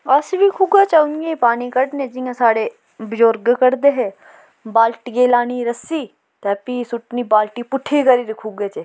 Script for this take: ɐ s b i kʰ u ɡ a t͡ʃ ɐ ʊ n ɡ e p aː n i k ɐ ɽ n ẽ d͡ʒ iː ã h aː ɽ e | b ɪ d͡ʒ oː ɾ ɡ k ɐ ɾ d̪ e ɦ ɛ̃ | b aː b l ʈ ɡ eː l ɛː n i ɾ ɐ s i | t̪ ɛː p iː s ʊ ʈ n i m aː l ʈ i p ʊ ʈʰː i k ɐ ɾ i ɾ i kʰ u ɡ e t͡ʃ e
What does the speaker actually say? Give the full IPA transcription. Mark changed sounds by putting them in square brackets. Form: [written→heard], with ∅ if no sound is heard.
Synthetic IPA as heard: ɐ s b i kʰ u ɡ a t͡ʃ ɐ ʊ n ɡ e p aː n i k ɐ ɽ n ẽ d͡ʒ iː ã [h→s] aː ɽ e | b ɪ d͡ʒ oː ɾ ɡ k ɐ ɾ d̪ e ɦ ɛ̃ | b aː [b→∅] l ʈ ɡ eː l [ɛː→aː] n i ɾ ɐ s i | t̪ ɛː p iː s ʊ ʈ n i [m→b] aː l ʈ i p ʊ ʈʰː i k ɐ ɾ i ɾ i kʰ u ɡ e t͡ʃ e